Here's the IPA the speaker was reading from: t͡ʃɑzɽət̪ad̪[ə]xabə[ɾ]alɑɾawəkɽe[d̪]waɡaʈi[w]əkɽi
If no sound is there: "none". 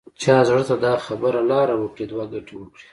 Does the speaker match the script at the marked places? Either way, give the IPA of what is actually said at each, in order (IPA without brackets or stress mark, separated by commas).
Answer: ɑ, ɾ, d̪, w